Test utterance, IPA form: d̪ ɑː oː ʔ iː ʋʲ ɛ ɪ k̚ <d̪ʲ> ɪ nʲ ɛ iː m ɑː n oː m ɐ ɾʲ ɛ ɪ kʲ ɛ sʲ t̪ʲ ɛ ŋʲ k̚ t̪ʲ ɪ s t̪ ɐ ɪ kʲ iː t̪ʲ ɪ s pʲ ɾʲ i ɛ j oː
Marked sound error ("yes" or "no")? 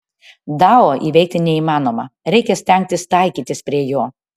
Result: yes